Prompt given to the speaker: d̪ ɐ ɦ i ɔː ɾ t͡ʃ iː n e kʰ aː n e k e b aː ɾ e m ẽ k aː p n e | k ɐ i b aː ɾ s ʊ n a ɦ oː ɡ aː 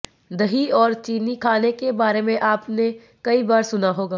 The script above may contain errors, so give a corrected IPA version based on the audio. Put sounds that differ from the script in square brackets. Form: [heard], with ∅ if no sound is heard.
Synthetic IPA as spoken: d̪ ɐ ɦ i ɔː ɾ t͡ʃ iː n [i] kʰ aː n e k e b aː ɾ e m ẽ [ʔ] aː p n e | k ɐ i b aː ɾ s ʊ n a ɦ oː ɡ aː